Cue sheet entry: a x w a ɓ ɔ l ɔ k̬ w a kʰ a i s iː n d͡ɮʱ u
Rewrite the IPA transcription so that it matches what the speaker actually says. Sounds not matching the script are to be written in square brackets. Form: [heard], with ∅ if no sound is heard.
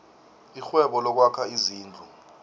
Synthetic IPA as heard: [i] x w [ɛ] ɓ ɔ l ɔ k̬ w a kʰ a i [z] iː n d͡ɮʱ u